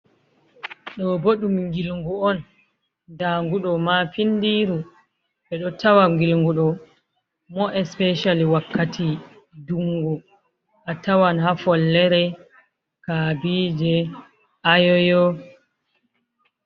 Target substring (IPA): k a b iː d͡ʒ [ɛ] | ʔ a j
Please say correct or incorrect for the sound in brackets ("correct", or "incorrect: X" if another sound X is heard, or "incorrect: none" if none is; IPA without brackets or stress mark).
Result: correct